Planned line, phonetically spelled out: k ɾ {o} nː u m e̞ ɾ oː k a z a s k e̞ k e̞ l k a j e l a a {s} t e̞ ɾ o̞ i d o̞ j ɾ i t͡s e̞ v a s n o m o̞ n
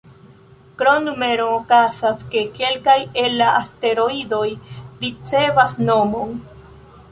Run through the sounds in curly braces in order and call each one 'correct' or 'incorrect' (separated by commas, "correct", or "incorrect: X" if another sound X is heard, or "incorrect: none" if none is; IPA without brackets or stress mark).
correct, correct